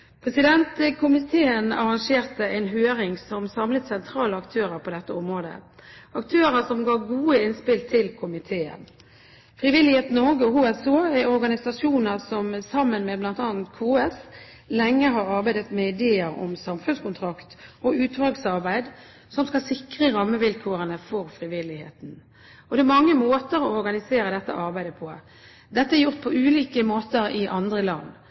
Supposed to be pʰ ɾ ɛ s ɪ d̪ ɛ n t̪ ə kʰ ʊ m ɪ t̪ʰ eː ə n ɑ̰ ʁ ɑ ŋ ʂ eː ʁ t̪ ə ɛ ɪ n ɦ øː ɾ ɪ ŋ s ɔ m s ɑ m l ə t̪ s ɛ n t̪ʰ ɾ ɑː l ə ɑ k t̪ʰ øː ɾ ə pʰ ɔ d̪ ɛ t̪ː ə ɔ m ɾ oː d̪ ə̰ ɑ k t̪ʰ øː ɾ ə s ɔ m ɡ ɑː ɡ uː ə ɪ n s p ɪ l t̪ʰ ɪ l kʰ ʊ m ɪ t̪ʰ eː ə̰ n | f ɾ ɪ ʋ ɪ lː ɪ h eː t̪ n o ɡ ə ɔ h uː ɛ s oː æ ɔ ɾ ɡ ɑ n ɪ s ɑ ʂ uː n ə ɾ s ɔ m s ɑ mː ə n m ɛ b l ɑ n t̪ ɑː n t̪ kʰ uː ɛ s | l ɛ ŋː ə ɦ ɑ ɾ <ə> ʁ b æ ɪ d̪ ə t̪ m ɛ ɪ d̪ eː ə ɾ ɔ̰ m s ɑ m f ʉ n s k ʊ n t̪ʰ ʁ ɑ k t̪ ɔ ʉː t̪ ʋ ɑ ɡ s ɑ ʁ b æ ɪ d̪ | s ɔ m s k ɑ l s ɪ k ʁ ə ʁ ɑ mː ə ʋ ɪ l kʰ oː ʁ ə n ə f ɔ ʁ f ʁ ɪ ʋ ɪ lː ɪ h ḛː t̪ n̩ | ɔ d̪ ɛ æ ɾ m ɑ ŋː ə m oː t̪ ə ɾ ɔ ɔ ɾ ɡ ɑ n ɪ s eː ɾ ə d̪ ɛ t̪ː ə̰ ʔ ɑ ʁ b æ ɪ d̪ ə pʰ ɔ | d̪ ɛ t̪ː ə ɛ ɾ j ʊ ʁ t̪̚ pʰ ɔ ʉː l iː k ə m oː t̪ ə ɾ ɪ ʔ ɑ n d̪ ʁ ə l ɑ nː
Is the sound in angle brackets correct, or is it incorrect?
incorrect